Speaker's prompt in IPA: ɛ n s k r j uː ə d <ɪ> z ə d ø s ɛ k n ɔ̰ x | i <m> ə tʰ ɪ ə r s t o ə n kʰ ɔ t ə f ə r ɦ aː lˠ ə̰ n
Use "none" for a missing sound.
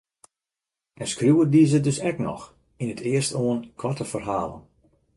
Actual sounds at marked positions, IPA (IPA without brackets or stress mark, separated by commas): i, n